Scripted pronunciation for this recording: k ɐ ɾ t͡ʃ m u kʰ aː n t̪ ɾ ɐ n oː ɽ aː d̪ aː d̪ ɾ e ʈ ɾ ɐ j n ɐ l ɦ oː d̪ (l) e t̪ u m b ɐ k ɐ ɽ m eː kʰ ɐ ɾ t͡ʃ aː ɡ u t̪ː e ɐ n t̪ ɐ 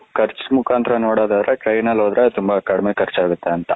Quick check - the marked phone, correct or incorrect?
incorrect